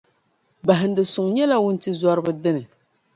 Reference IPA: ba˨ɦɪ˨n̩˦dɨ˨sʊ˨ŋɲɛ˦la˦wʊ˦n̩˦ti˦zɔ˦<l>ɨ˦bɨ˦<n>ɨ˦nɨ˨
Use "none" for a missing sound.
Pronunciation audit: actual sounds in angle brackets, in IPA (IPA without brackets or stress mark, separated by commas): ɾ, d